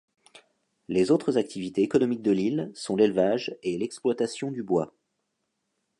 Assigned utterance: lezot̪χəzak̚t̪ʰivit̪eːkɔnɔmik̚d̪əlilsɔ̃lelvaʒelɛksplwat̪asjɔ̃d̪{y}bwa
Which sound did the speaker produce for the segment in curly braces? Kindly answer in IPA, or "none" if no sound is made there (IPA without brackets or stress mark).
y